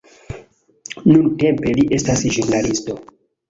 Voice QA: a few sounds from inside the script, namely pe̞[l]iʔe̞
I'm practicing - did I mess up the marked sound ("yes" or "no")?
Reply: no